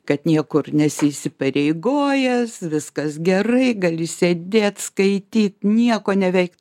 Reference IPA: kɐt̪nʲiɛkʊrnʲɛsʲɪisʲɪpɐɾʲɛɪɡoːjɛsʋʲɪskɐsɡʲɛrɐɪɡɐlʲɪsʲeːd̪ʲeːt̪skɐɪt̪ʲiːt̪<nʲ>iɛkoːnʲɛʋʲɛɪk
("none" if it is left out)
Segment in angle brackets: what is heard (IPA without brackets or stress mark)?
nʲ